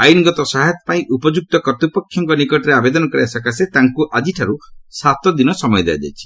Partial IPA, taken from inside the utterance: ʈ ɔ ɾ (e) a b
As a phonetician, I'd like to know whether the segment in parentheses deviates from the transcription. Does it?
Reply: no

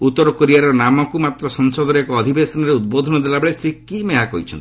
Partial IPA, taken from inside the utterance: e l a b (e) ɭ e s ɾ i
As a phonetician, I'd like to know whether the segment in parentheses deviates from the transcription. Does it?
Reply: no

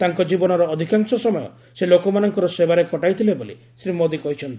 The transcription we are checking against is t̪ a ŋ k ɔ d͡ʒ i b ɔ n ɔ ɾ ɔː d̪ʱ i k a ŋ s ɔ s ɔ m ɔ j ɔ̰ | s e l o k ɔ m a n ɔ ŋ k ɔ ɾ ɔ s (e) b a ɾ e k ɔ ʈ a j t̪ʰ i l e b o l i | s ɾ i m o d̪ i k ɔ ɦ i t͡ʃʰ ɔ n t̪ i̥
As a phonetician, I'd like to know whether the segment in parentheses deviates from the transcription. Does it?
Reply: no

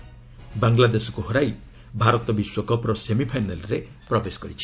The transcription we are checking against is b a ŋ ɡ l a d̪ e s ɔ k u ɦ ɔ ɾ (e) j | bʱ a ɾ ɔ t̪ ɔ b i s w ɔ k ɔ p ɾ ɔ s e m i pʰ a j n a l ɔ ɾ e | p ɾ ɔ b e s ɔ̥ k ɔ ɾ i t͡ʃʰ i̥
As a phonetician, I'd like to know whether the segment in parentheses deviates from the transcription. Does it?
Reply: yes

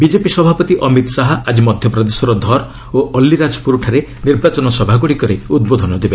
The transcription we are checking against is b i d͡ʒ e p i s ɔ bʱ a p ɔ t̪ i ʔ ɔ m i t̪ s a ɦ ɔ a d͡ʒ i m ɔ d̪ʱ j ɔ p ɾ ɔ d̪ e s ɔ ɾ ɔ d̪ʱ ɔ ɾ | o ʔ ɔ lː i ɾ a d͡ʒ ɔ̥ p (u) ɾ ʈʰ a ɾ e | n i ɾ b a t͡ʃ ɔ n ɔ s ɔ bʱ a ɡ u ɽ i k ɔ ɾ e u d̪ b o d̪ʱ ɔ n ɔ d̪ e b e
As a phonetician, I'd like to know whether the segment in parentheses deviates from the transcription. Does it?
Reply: no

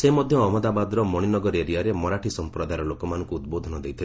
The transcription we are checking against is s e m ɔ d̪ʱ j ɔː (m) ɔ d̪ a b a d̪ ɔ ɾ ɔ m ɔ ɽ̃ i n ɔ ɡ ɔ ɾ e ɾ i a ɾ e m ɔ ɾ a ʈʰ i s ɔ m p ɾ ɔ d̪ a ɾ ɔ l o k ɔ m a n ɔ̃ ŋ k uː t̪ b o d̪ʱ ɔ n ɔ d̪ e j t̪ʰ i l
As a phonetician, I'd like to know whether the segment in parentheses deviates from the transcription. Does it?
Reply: no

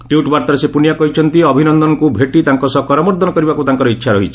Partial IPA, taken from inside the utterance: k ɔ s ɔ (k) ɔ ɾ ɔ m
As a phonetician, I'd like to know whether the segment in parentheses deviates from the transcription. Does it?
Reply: no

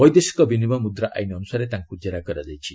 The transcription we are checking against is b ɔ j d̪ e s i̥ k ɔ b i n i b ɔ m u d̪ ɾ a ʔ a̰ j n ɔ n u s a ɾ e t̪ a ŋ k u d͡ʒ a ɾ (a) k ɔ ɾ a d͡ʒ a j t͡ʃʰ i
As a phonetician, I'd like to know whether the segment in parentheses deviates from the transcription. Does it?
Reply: no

